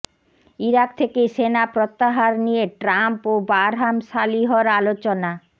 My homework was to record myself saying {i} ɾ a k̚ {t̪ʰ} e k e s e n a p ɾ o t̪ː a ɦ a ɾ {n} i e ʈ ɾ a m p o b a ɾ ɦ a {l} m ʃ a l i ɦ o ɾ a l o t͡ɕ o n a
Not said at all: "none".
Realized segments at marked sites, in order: i, t̪ʰ, n, none

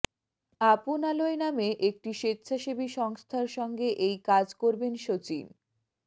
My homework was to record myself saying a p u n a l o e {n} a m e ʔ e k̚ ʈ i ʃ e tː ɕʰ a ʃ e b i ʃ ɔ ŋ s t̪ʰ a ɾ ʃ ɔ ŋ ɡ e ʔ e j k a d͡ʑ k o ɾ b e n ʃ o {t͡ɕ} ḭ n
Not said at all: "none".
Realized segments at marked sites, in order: n, t͡ɕ

